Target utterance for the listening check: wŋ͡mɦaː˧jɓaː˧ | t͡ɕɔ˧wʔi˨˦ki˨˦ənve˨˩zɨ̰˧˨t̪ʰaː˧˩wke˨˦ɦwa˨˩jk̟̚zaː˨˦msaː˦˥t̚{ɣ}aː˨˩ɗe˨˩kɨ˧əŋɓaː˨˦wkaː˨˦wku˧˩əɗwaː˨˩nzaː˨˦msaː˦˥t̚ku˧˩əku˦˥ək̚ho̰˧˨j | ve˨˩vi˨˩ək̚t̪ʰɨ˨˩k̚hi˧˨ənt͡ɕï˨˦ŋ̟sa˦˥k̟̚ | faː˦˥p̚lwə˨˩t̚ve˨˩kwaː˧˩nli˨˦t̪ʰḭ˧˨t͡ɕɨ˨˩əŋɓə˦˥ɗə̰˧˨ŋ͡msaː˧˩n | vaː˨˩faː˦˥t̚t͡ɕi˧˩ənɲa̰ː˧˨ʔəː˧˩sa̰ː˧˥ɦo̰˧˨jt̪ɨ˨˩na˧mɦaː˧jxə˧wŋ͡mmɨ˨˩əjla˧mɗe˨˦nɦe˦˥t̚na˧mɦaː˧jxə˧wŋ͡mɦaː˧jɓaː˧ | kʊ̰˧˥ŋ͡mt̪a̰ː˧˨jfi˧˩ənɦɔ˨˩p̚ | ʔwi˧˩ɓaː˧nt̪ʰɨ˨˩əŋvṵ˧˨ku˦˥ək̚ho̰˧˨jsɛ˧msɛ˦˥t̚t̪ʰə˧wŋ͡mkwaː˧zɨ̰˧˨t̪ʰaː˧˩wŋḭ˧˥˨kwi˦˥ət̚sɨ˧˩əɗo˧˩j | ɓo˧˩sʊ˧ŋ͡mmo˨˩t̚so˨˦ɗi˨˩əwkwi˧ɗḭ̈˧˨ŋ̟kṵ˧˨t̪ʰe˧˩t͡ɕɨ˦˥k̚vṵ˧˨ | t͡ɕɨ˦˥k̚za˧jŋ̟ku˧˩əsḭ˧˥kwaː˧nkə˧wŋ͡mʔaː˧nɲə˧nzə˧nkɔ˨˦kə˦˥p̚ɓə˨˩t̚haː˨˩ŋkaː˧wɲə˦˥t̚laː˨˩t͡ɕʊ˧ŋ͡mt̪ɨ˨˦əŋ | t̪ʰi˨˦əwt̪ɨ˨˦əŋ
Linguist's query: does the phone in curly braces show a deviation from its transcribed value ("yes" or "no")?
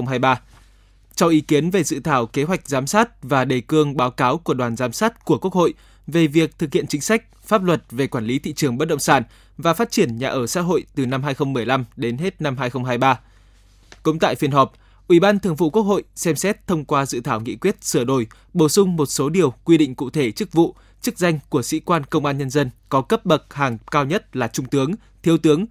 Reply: yes